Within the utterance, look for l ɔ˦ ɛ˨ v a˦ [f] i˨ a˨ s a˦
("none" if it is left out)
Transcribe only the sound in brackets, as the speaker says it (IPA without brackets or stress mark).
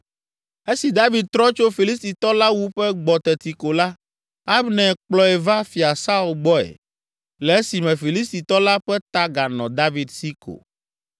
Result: f